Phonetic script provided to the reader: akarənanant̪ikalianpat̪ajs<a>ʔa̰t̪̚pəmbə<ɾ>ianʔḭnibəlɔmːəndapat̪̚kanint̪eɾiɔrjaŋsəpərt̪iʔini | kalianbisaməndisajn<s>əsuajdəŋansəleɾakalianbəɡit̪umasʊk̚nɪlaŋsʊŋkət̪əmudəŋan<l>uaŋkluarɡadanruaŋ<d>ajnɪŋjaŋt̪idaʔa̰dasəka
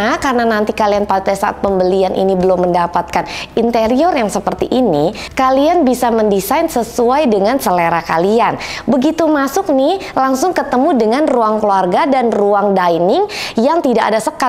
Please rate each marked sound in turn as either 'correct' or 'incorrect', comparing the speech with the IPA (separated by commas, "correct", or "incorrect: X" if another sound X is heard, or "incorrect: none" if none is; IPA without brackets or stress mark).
correct, incorrect: l, correct, incorrect: r, correct